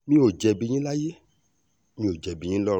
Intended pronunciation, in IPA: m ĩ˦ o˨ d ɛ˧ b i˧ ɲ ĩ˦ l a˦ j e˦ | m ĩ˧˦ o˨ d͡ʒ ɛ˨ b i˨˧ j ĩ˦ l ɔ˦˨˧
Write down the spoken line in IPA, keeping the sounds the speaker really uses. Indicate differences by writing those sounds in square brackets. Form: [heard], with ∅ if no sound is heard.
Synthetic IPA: m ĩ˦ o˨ [d͡ʒ] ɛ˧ b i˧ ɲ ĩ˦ l a˦ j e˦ | m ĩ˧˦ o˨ d͡ʒ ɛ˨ b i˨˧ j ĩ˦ l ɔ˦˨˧